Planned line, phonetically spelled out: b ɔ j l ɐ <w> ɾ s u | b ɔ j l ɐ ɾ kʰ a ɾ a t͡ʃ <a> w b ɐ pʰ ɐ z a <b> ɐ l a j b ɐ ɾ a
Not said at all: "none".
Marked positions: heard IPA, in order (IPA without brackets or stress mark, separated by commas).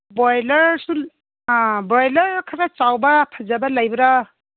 none, a, b